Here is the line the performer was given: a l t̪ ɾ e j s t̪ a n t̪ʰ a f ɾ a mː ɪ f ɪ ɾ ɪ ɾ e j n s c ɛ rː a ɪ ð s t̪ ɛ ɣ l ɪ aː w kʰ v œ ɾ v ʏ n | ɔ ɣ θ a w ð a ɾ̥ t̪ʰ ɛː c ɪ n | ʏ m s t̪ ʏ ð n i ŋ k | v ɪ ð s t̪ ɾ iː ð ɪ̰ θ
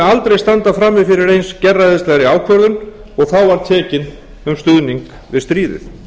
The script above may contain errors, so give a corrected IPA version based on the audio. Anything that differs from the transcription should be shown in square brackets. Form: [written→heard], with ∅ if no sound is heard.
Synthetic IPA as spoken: a l t̪ ɾ e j s t̪ a n [t̪ʰ→t̪] a f ɾ a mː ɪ f ɪ ɾ ɪ ɾ e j n s c ɛ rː a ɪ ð s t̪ ɛ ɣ [l→ɾ] ɪ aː w kʰ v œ ɾ [v→ð] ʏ n | ɔ ɣ θ a w [ð→v] a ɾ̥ t̪ʰ ɛː c ɪ n | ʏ m s t̪ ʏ ð n i ŋ k | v ɪ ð s t̪ ɾ iː ð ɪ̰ θ